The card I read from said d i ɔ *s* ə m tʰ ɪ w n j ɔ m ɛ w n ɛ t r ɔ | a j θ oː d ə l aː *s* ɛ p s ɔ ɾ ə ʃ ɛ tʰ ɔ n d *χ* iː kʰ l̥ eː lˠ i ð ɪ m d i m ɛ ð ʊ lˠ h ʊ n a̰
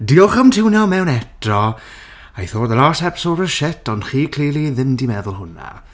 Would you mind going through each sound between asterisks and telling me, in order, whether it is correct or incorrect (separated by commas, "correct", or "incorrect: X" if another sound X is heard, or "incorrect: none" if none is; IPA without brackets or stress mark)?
incorrect: χ, correct, correct